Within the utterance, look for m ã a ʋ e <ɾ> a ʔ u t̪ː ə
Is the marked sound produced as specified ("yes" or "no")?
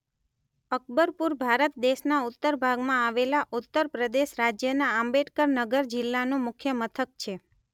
no